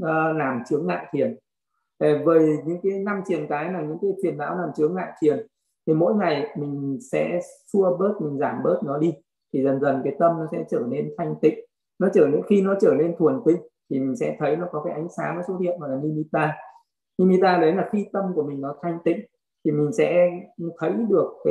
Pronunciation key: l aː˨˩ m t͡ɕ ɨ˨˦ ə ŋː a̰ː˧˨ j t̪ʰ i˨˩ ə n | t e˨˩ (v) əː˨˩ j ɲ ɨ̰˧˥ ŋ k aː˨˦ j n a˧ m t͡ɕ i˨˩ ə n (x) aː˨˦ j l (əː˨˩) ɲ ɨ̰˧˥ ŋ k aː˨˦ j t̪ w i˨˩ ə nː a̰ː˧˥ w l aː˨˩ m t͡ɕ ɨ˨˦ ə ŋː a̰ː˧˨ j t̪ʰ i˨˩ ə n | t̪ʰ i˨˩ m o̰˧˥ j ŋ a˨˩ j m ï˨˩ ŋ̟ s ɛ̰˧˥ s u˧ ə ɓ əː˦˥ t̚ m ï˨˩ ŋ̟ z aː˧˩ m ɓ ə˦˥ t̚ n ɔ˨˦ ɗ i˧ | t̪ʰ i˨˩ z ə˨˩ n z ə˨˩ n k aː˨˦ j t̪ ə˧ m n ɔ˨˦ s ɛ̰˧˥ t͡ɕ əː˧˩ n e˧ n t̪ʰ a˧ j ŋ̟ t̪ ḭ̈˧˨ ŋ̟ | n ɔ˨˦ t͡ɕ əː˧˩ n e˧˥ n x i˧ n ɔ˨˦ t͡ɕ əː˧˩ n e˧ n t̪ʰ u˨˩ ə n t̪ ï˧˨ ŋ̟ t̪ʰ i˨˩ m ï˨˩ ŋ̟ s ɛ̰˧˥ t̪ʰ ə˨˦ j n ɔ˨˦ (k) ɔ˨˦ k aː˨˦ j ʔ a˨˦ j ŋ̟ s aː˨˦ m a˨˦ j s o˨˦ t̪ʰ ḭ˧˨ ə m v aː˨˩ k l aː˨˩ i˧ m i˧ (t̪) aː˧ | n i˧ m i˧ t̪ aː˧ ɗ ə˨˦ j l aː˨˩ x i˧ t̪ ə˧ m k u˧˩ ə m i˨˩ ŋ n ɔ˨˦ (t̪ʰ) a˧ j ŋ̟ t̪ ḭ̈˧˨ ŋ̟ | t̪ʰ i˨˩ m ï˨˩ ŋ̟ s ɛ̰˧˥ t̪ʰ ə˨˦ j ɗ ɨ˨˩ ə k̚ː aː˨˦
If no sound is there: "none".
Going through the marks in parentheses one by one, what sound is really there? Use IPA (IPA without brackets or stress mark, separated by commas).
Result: v, k, aː˨˩, k, t̪, t̪ʰ